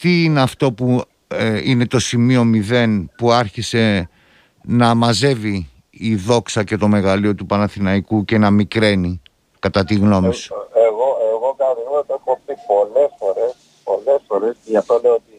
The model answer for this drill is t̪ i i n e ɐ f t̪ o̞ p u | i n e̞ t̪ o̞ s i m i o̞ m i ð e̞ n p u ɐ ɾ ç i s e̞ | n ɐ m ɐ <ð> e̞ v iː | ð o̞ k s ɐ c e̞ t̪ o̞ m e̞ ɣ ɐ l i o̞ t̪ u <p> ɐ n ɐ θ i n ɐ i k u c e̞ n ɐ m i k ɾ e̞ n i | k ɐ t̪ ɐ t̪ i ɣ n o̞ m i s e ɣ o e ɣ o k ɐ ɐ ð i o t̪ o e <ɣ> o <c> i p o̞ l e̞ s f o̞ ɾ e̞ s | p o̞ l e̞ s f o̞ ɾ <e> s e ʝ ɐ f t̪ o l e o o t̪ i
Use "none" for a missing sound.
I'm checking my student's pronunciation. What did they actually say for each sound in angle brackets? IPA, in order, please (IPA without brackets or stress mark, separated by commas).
z, p, x, p, e